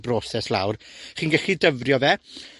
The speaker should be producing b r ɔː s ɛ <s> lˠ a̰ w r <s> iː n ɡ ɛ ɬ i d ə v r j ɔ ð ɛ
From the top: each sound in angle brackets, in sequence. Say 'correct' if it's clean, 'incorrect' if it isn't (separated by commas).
correct, incorrect